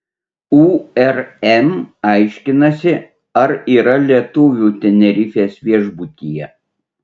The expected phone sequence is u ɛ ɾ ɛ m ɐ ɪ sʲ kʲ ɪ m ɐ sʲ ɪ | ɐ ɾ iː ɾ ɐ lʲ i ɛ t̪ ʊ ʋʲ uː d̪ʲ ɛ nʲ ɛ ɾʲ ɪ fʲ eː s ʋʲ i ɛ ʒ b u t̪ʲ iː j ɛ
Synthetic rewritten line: u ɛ ɾ ɛ m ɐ ɪ ʃʲ kʲ ɪ n ɐ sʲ ɪ | ɐ ɾ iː ɾ ɐ lʲ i ɛ t̪ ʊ ʋʲ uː t̪ʲ ɛ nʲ ɛ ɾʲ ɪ fʲ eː s ʋʲ i ɛ ʒ b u t̪ʲ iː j ɛ